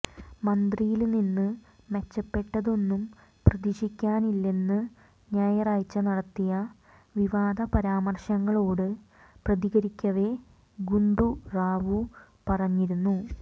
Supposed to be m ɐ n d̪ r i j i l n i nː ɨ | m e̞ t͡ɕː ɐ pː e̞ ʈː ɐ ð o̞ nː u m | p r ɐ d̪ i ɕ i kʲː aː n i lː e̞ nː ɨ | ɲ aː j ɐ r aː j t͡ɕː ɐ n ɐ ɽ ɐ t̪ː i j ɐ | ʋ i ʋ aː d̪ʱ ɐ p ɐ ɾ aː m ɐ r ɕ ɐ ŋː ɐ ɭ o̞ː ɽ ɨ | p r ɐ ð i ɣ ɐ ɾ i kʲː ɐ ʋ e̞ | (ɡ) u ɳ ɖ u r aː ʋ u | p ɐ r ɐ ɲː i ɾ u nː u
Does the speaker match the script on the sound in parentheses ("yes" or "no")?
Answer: yes